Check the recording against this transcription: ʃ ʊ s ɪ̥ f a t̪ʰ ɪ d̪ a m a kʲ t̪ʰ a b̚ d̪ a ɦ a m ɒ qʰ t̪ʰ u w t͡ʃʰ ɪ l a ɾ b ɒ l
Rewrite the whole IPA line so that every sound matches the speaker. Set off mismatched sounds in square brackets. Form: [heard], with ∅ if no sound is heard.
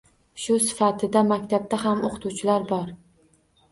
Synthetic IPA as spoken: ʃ ʊ s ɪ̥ f a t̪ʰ ɪ d̪ a m a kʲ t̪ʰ a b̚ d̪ a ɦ a m [o] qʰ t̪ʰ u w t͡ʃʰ ɪ l a ɾ b ɒ [ɾ]